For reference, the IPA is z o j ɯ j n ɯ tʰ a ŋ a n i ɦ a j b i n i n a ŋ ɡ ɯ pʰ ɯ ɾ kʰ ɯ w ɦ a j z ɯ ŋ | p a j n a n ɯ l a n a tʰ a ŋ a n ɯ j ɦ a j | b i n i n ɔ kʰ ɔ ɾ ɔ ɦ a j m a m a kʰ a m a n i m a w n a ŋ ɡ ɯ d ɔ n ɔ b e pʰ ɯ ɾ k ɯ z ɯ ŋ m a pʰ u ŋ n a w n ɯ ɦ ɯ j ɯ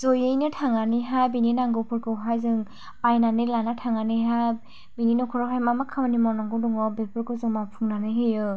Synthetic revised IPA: z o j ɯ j n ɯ tʰ a ŋ a n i ɦ a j b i n i n a ŋ ɡ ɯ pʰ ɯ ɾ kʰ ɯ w ɦ a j z ɯ ŋ | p a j n a n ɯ l a n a tʰ a ŋ a n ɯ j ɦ a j | b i n i n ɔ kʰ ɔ ɾ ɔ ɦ a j m a m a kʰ a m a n i m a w n a ŋ ɡ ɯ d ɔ ŋ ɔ b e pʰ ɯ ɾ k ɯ z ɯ ŋ m a pʰ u ŋ n a n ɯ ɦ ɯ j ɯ